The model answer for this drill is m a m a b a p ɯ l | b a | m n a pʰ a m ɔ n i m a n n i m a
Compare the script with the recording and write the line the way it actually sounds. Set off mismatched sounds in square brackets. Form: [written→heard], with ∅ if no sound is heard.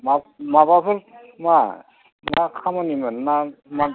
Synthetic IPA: m a m a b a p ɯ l | [b→m] a | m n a [pʰ→kʰ] a m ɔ n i m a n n [i→a] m a